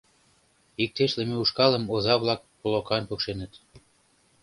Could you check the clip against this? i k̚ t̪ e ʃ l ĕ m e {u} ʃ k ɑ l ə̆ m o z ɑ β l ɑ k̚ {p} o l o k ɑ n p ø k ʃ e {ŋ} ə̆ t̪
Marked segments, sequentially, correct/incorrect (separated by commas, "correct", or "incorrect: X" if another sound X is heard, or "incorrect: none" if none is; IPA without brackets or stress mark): correct, correct, incorrect: n